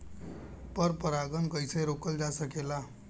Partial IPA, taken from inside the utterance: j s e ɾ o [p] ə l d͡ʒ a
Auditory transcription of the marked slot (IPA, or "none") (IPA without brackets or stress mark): k